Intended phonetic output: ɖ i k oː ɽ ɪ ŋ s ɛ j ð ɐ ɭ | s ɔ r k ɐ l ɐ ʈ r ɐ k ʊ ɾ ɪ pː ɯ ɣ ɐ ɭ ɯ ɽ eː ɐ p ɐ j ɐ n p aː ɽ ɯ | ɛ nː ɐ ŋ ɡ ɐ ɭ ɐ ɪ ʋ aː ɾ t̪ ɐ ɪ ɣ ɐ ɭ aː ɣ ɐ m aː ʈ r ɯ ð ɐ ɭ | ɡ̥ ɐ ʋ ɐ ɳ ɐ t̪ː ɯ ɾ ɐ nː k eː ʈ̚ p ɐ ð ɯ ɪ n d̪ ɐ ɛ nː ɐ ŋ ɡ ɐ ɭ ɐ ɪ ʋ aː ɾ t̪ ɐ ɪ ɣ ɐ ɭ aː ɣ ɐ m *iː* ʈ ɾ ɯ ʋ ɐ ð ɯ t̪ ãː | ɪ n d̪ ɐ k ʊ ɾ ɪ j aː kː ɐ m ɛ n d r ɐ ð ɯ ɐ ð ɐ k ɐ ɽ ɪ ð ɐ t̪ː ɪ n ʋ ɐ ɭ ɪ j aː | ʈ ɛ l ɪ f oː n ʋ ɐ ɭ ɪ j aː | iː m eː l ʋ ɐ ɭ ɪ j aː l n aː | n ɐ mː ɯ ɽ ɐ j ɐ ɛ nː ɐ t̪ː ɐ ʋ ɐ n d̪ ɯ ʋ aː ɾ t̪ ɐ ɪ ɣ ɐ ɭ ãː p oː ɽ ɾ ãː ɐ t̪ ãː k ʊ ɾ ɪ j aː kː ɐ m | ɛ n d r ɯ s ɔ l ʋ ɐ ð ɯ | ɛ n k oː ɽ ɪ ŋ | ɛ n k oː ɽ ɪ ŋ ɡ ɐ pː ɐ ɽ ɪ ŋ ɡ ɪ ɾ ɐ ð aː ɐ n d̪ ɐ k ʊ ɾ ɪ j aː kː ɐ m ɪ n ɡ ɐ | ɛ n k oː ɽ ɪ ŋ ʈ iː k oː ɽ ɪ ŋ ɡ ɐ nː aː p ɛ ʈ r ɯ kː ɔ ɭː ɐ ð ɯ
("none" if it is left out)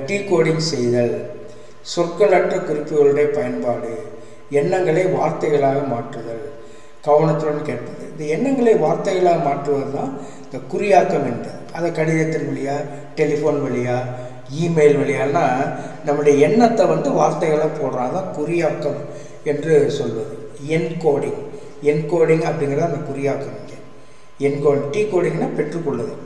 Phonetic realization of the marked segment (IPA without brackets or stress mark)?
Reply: aː